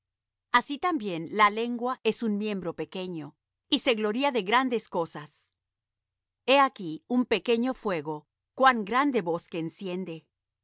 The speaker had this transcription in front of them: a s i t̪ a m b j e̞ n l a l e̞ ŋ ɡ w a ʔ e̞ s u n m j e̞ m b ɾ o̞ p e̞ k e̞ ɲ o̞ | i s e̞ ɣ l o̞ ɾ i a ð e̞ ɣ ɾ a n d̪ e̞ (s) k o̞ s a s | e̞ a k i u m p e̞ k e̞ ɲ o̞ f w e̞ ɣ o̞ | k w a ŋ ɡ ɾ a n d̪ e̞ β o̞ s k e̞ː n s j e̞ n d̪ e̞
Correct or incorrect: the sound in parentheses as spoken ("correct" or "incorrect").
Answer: correct